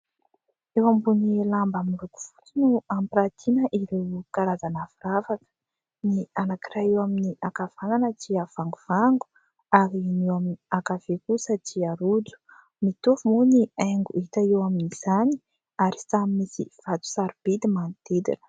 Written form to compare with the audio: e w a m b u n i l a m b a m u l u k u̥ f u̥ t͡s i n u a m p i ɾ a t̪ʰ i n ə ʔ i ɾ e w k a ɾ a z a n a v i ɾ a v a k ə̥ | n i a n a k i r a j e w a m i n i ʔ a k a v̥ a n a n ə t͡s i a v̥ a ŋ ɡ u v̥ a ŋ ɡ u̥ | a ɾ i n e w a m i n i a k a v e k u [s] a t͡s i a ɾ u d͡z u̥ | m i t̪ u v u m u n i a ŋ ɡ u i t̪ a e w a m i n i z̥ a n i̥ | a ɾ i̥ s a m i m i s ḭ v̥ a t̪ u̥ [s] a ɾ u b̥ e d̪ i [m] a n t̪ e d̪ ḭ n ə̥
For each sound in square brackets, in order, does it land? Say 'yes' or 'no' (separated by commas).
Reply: yes, yes, yes